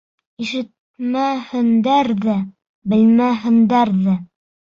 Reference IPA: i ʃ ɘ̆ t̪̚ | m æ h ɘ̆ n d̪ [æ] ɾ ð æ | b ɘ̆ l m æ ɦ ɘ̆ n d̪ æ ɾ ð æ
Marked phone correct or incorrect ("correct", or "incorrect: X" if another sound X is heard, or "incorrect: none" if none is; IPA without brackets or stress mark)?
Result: correct